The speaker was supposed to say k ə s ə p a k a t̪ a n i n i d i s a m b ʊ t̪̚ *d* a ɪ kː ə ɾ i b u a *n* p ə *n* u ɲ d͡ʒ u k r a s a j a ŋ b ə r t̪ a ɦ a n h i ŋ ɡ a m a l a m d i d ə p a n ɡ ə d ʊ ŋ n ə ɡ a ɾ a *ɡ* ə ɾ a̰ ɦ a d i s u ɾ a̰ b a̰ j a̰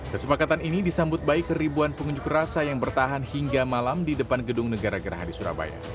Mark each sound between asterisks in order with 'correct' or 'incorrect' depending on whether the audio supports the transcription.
incorrect: b, correct, incorrect: ŋ, correct

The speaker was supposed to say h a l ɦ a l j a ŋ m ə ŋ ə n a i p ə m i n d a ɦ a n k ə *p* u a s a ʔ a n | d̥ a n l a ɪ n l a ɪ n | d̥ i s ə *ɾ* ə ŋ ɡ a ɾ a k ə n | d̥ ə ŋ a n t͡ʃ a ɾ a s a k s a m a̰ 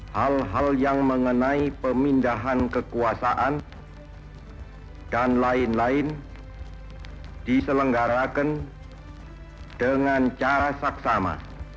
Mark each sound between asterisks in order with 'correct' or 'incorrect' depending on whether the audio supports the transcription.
incorrect: k, incorrect: l

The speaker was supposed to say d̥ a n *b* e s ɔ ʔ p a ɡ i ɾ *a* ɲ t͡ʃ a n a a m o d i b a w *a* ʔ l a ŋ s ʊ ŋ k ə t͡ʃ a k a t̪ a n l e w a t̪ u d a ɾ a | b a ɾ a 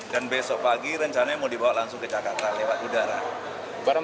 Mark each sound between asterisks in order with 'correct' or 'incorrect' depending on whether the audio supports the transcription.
correct, incorrect: ə, correct

